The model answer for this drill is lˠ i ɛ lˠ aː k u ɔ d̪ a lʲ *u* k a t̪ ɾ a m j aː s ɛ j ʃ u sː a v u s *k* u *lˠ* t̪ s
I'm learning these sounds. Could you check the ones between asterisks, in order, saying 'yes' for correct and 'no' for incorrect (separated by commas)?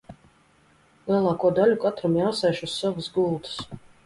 yes, no, yes